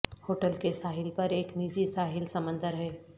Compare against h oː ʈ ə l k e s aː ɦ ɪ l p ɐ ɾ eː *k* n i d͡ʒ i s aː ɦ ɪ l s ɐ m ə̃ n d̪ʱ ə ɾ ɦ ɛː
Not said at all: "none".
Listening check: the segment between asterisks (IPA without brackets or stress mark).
k